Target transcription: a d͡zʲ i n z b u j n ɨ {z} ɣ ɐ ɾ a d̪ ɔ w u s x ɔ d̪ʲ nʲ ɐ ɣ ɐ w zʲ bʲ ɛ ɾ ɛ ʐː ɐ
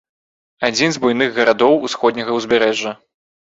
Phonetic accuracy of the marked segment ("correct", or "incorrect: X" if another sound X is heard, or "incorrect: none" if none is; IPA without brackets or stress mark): incorrect: ɣ